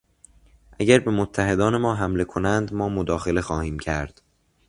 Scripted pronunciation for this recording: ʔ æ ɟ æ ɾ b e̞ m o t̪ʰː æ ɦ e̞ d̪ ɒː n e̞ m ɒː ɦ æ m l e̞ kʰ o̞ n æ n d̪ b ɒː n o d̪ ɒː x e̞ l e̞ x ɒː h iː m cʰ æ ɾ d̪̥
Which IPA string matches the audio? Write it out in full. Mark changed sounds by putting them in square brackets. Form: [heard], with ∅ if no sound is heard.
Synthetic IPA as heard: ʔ æ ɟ æ ɾ b e̞ m o t̪ʰː æ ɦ e̞ d̪ ɒː n e̞ m ɒː ɦ æ m l e̞ kʰ o̞ n æ n d̪ [m] ɒː [m] o d̪ ɒː x e̞ l e̞ x ɒː h iː m cʰ æ ɾ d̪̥